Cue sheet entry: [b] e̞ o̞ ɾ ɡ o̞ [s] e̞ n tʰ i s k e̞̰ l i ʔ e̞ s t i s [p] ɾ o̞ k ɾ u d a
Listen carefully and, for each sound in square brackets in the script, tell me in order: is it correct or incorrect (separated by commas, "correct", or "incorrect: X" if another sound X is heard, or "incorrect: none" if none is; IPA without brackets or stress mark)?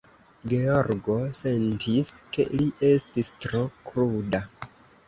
incorrect: ɡ, correct, incorrect: t